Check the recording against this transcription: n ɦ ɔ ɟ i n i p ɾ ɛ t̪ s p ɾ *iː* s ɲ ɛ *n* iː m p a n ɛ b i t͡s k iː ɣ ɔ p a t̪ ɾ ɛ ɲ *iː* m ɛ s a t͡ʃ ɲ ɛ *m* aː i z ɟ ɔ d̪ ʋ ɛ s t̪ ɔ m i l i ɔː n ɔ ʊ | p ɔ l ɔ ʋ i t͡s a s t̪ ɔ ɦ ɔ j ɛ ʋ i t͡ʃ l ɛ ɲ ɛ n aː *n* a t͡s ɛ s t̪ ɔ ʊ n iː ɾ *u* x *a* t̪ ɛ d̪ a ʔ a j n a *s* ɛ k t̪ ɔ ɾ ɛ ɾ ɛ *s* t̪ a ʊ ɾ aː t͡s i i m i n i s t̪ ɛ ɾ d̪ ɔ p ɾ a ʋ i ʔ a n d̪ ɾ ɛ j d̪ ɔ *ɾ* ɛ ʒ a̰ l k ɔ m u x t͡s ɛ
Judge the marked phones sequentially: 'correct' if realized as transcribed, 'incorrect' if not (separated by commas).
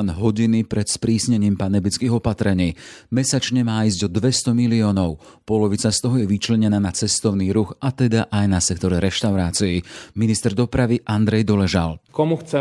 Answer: correct, incorrect, correct, correct, correct, correct, correct, correct, incorrect, incorrect